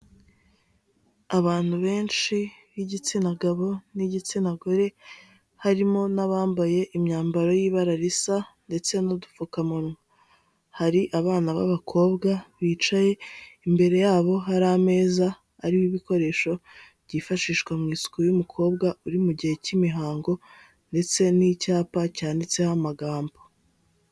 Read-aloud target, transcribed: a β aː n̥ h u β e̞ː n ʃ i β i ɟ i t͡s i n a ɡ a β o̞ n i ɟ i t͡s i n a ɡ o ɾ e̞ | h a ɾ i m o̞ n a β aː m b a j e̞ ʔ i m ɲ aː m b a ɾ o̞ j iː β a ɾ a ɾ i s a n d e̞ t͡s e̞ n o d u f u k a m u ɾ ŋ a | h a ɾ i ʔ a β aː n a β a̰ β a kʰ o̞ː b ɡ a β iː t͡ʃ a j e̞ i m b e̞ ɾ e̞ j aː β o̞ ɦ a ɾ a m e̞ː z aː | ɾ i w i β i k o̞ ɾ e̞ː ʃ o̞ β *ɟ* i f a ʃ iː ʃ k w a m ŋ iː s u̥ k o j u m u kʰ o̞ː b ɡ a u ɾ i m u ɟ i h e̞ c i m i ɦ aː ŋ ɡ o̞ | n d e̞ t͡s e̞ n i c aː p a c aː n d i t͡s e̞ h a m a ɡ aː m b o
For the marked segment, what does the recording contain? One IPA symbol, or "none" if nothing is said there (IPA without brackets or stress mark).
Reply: ɟ